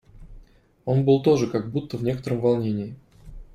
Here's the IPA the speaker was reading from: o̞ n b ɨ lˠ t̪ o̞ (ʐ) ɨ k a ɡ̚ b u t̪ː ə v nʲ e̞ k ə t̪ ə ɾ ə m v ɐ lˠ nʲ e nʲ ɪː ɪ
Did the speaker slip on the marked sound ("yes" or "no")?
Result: no